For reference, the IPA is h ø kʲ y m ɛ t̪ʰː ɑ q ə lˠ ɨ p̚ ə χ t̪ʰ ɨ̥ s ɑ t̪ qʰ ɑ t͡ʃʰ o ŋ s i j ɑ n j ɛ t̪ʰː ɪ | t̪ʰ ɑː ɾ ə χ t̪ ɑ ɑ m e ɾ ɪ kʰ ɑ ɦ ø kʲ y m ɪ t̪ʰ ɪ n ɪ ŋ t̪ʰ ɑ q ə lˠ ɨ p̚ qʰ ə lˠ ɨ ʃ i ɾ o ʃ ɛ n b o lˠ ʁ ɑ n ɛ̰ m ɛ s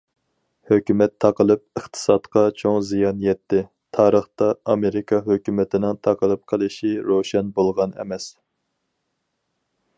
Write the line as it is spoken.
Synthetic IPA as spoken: h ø kʲ y m ɛ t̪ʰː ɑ q ə lˠ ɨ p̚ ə χ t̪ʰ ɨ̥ s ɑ t̪ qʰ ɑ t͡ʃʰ o ŋ z i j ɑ n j ɛ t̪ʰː ɪ | t̪ʰ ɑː ɾ ə χ t̪ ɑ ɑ m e ɾ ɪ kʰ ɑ ɦ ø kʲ y m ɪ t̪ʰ ɪ n ɪ ŋ t̪ʰ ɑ q ə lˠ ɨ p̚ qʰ ə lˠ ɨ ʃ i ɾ o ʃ ɛ n b o lˠ ʁ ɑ n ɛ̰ m ɛ s